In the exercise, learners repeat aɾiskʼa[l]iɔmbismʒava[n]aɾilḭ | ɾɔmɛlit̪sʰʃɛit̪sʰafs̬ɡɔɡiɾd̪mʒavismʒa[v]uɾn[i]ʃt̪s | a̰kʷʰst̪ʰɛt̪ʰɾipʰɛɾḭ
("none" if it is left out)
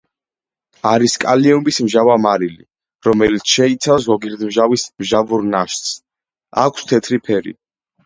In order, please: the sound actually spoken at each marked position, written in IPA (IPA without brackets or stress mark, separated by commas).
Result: l, m, v, a